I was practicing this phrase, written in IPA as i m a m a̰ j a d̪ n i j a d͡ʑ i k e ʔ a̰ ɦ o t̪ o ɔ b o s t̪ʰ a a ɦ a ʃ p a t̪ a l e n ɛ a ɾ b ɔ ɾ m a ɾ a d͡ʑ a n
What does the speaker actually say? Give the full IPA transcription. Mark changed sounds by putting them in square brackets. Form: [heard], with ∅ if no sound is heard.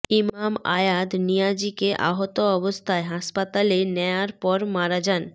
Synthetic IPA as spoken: i m a m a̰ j a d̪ n i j a d͡ʑ i k e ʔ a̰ ɦ o t̪ o ɔ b o s t̪ʰ a [e] ɦ a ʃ p a t̪ a l e n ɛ a ɾ [p] ɔ ɾ m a ɾ a d͡ʑ a n

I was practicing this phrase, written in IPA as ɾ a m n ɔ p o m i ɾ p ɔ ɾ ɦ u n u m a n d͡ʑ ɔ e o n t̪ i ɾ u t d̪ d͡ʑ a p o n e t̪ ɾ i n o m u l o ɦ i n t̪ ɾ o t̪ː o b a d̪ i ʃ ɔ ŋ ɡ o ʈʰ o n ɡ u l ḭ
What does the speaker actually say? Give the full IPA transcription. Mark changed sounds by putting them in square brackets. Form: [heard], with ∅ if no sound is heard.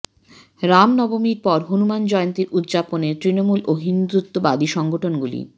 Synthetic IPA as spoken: ɾ a m n ɔ [b] o m i ɾ p ɔ ɾ ɦ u n u m a n d͡ʑ ɔ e o n t̪ i ɾ u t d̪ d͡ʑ a p o n e t̪ ɾ i n o m u l o ɦ i n [d̪] ɾ [u] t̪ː o b a d̪ i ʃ ɔ ŋ ɡ o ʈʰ o n ɡ u l ḭ

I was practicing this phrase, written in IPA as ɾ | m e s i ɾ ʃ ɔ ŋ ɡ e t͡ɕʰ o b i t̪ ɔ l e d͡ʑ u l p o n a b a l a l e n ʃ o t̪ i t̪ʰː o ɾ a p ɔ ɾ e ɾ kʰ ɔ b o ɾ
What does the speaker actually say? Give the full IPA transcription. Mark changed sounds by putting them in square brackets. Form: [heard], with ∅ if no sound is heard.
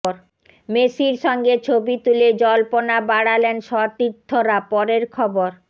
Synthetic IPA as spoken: ɾ | m e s i ɾ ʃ ɔ ŋ ɡ e t͡ɕʰ o b i t̪ [u] l e d͡ʑ [ɔ] l p o n a b a [ɽ] a l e n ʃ [ɔ] t̪ i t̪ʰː o ɾ a p ɔ ɾ e ɾ kʰ ɔ b o ɾ

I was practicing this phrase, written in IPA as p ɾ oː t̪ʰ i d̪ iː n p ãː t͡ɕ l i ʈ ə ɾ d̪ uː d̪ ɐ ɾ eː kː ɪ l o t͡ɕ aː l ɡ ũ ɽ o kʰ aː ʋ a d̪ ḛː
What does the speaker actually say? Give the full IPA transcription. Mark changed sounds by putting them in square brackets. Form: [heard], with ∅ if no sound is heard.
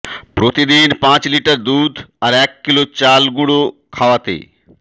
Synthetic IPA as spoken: p ɾ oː [t̪] i d̪ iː n p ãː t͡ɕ l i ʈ ə ɾ d̪ uː d̪ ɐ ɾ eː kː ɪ l o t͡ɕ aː l ɡ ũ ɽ o kʰ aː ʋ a [t̪] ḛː

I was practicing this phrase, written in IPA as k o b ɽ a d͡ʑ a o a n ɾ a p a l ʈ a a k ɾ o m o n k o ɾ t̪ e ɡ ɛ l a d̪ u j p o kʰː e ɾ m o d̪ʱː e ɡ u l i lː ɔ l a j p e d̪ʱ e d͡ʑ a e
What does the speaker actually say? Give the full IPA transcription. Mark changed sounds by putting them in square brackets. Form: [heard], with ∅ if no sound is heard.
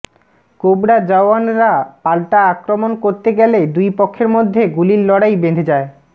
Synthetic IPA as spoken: k o b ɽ a d͡ʑ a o a n ɾ a p a l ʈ a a k ɾ o m o n k o ɾ t̪ e ɡ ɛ l [e] d̪ u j p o kʰː e ɾ m o d̪ʱː e ɡ u l i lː ɔ [ɽ] a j [b] e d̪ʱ e d͡ʑ a e

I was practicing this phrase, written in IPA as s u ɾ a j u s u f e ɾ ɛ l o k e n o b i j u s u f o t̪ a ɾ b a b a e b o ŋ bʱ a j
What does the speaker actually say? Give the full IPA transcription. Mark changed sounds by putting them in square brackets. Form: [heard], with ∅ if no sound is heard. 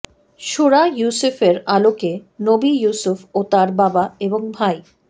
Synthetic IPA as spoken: [ʃ] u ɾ a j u s u f e ɾ [a] l o k e n o b i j u s u f o t̪ a ɾ b a b a e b o ŋ bʱ a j

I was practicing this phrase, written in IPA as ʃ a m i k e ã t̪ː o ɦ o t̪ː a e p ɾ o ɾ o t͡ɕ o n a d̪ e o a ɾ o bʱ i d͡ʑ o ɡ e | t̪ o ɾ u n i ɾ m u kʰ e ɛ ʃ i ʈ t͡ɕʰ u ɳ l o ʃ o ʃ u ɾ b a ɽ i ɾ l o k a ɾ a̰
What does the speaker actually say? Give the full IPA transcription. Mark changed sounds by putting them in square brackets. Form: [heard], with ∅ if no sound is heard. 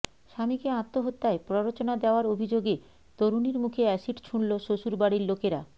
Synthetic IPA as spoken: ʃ a m i k e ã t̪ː o ɦ o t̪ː a e p ɾ o ɾ o t͡ɕ o n a d̪ e o a ɾ o bʱ i d͡ʑ o ɡ e | t̪ o ɾ u n i ɾ m u kʰ e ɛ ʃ i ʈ t͡ɕʰ u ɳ l o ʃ o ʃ u ɾ b a ɽ i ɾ l o k [e] ɾ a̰

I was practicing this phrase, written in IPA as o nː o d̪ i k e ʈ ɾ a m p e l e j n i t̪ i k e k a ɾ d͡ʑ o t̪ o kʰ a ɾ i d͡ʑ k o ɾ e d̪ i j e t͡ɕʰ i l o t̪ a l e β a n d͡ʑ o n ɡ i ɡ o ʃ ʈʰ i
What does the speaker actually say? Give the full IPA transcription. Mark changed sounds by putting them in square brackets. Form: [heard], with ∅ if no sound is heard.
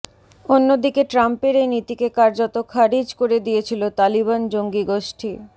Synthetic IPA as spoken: o nː o d̪ i k e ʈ ɾ a m p e [ɾ] e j n i t̪ i k e k a ɾ d͡ʑ o t̪ o kʰ a ɾ i d͡ʑ k o ɾ e d̪ i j e t͡ɕʰ i l o t̪ a l [i] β a n d͡ʑ o [ŋ] ɡ i ɡ o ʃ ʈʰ i

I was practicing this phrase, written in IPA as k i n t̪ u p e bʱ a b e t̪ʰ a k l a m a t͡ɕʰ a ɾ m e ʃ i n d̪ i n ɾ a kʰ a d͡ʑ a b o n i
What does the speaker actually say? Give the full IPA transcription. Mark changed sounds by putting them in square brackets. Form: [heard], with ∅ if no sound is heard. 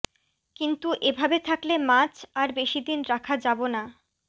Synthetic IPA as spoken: k i n t̪ u [ʔ] e bʱ a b e t̪ʰ a k l [e] m a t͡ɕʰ a ɾ [b] e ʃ i [∅] d̪ i n ɾ a kʰ a d͡ʑ a b o n [a]

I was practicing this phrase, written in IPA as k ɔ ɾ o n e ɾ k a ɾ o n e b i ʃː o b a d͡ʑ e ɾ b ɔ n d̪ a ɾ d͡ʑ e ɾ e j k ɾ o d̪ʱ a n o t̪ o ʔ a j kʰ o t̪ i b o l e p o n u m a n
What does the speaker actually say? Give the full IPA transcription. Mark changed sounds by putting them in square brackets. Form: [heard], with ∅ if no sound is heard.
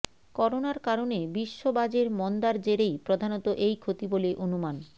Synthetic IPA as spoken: k ɔ ɾ o n [a] ɾ k a ɾ o n e b i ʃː o b a d͡ʑ e ɾ [m] ɔ n d̪ a ɾ d͡ʑ e ɾ e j [p] ɾ o d̪ʱ a n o t̪ o ʔ [e] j kʰ o t̪ i b o l e [ʔ] o n u m a n

